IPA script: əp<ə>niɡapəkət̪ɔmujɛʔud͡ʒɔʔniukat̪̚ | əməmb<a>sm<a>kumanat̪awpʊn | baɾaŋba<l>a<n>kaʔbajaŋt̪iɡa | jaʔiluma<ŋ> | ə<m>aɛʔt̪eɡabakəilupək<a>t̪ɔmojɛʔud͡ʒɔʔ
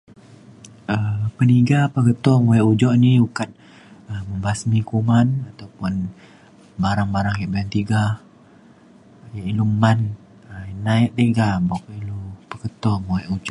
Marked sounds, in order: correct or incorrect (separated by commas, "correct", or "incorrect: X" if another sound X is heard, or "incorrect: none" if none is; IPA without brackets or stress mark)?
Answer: correct, correct, incorrect: i, incorrect: ɾ, incorrect: ŋ, incorrect: n, incorrect: n, incorrect: ə